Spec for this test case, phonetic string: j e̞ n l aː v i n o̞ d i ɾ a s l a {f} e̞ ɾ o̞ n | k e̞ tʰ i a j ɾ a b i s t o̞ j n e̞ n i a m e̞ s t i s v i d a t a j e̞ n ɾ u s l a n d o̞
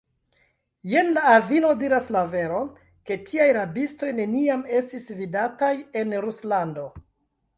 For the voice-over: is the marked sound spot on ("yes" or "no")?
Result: no